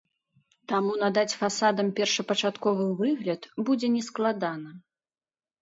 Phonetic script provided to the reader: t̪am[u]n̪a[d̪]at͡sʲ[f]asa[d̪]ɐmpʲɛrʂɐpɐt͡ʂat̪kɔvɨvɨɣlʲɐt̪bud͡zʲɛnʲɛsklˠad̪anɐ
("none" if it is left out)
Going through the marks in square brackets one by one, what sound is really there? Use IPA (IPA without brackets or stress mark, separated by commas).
u, d̪, f, d̪